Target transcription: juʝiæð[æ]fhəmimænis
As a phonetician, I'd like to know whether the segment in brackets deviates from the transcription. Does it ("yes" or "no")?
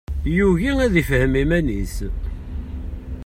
yes